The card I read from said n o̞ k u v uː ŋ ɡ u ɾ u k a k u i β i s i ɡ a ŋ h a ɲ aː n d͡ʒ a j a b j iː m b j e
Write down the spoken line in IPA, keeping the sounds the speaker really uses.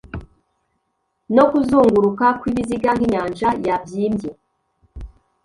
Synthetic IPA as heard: n o̞ k u z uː ŋ ɡ u ɾ u k a k w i β i z i ɡ a ŋ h i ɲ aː n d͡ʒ a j a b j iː m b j e